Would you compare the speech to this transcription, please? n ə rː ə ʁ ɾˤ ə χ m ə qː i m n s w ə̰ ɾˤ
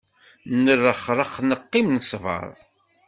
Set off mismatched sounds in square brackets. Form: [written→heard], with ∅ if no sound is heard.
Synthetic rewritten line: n ə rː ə [ʁ→χ] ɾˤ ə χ [m→n] ə qː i m n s [w→v] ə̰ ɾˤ